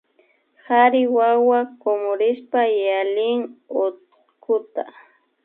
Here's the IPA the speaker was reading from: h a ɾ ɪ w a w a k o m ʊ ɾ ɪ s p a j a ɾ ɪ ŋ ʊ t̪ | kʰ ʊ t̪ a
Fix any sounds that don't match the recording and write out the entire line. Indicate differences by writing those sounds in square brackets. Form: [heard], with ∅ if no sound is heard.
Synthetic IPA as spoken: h a ɾ ɪ w a w a k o m ʊ ɾ ɪ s p a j a [l] ɪ ŋ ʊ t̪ | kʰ ʊ t̪ a